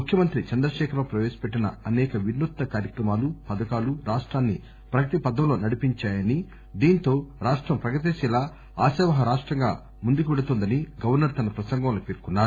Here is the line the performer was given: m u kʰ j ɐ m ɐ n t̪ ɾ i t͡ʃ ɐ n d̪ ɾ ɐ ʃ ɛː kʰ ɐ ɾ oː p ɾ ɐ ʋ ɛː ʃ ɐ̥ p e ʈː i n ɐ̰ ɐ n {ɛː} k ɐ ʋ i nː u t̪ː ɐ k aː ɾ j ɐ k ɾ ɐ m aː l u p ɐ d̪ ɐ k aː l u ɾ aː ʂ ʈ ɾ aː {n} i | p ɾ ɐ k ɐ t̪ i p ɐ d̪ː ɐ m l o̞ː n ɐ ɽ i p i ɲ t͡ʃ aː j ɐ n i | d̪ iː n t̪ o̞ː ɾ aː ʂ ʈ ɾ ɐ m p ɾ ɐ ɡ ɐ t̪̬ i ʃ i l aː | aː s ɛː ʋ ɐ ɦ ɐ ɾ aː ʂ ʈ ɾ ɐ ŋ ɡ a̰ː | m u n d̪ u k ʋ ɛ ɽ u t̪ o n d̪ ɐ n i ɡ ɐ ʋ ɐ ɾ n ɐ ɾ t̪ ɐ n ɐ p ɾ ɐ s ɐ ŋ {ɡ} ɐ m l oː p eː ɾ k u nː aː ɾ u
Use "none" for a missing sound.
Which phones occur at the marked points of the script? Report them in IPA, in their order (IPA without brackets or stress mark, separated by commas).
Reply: ɛː, nː, ɡ